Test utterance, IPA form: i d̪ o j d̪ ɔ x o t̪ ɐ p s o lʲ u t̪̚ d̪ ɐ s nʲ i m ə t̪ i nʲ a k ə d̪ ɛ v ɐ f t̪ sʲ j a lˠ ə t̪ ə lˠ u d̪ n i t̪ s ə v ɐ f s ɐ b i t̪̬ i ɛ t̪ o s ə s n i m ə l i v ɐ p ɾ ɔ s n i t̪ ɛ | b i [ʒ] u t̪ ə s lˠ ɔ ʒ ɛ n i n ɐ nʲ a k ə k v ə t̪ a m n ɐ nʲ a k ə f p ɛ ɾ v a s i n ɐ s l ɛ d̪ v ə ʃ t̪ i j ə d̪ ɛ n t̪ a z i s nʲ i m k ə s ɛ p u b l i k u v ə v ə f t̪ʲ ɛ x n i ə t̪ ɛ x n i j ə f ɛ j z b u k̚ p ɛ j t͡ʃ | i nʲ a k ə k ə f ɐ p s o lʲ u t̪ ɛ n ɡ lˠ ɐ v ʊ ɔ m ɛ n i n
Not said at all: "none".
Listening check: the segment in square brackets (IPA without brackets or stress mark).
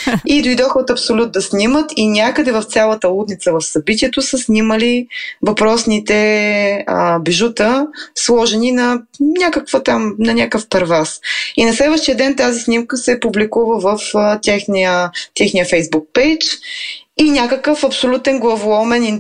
ʒ